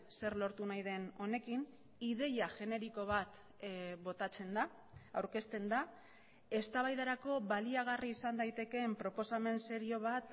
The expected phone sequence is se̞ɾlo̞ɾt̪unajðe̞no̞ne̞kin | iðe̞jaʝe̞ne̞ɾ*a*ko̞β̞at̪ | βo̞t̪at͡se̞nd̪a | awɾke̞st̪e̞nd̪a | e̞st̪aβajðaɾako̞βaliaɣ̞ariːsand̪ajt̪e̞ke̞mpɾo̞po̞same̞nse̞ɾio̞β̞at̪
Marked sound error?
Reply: yes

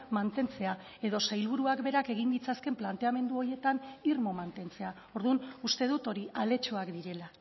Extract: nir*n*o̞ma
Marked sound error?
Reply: yes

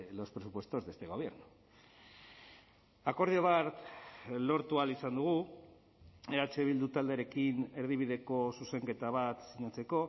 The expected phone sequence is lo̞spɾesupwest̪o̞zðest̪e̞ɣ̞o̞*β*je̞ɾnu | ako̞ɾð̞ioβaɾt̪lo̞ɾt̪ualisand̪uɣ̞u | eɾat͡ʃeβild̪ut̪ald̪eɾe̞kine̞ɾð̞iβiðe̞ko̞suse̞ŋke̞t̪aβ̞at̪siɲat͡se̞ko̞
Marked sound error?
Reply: no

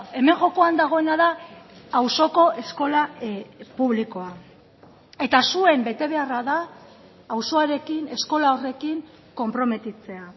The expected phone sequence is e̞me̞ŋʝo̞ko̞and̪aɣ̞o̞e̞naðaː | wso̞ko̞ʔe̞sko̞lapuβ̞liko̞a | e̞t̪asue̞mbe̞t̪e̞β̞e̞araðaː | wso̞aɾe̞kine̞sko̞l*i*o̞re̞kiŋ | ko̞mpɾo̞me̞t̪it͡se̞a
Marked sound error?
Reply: yes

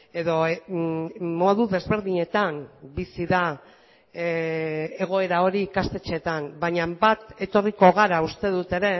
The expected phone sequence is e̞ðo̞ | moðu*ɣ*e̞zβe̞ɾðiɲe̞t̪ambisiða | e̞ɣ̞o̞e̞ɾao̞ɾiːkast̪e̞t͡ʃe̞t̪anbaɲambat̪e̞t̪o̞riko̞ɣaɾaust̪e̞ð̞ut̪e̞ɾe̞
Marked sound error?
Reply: yes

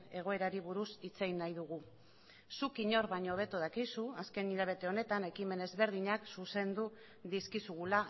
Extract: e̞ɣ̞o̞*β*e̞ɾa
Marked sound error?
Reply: yes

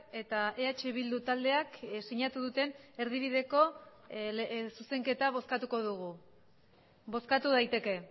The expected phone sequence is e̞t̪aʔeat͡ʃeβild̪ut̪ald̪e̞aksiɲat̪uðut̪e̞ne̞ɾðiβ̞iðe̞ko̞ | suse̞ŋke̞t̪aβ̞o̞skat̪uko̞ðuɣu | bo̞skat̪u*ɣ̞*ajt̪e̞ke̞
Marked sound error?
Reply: yes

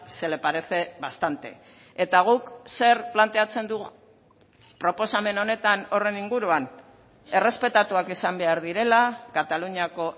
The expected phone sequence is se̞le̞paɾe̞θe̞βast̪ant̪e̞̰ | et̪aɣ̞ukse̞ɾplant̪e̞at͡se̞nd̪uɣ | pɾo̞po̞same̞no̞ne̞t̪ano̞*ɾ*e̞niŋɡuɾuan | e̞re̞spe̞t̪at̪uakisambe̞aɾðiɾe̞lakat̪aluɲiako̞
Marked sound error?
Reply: yes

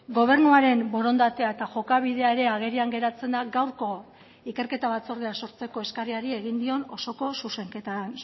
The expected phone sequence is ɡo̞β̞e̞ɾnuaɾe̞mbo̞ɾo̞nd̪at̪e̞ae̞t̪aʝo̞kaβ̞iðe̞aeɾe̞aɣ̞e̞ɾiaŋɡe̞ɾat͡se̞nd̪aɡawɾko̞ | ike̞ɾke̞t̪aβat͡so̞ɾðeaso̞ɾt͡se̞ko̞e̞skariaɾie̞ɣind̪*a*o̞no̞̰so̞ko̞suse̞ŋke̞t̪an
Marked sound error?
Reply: yes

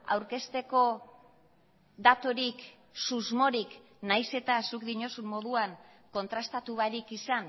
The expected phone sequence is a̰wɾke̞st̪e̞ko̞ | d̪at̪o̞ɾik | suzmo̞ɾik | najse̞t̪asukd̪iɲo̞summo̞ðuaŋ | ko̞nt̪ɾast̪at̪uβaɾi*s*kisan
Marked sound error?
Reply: yes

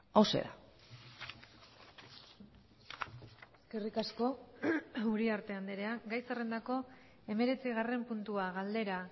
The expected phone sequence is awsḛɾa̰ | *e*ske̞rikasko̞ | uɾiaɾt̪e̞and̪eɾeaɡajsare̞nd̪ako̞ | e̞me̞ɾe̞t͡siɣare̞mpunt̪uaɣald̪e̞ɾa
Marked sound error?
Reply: no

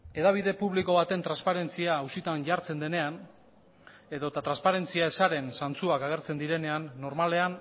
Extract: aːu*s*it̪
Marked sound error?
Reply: no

